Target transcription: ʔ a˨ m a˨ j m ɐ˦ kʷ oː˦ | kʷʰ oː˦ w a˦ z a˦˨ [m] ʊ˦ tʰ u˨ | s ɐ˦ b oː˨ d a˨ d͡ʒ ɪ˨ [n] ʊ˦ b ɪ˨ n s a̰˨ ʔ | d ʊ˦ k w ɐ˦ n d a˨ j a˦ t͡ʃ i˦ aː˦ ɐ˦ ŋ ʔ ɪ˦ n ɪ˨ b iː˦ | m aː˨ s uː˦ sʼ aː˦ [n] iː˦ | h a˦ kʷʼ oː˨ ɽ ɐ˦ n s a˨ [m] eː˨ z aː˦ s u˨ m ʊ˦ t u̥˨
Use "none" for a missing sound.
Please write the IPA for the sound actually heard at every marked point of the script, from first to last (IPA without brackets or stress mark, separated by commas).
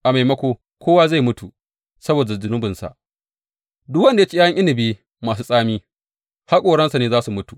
m, n, m, n